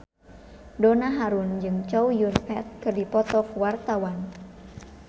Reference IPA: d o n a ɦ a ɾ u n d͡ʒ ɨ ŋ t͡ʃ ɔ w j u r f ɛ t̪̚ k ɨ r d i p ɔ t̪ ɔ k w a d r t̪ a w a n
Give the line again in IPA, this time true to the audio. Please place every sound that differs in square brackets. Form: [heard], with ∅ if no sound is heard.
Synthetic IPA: d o n a ɦ a ɾ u n d͡ʒ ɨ ŋ t͡ʃ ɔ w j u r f ɛ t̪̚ k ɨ r d i p ɔ t̪ ɔ k w a [∅] r t̪ a w a n